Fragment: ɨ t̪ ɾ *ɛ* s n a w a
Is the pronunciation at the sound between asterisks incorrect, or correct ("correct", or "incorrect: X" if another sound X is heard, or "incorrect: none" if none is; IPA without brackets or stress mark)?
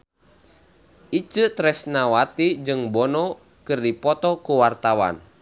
correct